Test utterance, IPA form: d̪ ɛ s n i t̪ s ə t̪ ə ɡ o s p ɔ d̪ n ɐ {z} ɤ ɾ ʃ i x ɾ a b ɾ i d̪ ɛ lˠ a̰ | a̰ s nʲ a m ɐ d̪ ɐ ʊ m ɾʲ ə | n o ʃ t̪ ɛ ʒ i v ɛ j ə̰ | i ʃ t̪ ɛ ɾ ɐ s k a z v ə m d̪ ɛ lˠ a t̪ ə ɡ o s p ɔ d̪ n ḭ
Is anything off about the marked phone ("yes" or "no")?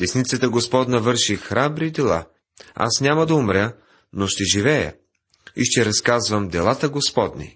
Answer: yes